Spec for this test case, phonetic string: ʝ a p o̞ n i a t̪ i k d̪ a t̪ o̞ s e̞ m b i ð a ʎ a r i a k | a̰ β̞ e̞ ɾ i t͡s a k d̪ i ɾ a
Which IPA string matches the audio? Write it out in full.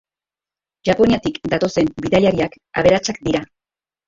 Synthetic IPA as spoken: ʝ a p o̞ n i a t̪ i k d̪ a t̪ o̞ s e̞ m b i ð a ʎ a ɾ i a k | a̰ β̞ e̞ ɾ a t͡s a k d̪ i ɾ a